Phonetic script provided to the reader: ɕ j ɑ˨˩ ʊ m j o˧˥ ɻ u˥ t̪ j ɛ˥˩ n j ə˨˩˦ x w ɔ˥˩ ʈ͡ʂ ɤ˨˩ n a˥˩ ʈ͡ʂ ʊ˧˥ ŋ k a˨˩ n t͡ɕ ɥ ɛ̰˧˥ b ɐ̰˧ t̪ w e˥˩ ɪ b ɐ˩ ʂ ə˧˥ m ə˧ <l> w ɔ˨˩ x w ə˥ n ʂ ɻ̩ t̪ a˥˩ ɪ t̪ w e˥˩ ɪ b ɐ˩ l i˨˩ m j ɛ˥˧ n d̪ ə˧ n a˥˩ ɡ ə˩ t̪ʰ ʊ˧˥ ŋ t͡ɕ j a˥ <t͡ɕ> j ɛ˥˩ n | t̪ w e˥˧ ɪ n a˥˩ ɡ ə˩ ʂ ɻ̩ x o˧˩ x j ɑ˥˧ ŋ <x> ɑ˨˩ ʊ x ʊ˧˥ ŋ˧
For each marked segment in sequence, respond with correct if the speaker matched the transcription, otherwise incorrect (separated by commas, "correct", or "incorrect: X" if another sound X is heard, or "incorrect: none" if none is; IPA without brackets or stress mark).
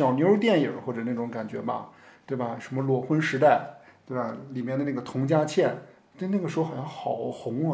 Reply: correct, incorrect: t͡ɕʰ, correct